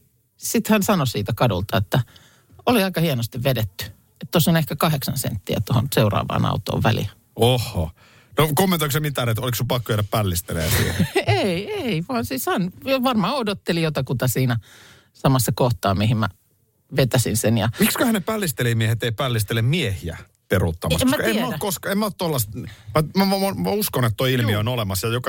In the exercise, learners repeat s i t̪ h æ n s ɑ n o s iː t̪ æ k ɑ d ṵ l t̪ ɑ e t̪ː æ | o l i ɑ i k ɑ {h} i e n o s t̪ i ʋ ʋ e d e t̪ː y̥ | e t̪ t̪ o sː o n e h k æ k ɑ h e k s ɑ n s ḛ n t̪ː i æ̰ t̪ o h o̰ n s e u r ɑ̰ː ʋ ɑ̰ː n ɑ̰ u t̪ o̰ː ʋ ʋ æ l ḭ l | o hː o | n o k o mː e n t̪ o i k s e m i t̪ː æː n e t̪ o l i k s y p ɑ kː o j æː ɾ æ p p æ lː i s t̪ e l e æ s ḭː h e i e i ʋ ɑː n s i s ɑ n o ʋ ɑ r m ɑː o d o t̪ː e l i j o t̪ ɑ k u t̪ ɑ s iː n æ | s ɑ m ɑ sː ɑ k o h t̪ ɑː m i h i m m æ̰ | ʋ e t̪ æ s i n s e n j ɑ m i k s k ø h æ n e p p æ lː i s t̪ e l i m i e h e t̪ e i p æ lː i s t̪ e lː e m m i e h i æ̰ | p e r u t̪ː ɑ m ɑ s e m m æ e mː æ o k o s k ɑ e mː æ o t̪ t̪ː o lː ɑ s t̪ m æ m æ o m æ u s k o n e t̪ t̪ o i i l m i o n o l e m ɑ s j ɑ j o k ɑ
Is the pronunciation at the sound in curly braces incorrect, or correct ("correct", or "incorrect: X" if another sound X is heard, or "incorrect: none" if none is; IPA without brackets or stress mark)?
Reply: correct